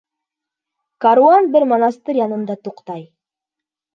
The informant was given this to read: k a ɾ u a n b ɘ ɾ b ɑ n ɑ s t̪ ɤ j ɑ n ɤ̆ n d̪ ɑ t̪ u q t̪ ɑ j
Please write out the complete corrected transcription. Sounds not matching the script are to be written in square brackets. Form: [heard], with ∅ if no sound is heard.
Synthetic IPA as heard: k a ɾ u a n b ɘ ɾ [m] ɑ n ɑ s t̪ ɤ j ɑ n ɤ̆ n d̪ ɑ t̪ u q t̪ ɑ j